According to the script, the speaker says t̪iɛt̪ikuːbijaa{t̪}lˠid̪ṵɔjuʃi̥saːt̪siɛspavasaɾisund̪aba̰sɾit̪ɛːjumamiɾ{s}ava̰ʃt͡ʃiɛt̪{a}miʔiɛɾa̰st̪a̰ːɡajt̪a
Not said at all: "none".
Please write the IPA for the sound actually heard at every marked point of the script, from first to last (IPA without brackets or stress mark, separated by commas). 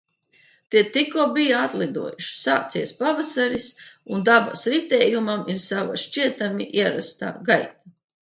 t̪, s, a